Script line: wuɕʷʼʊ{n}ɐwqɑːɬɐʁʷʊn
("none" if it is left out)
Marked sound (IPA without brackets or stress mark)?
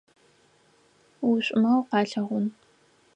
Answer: m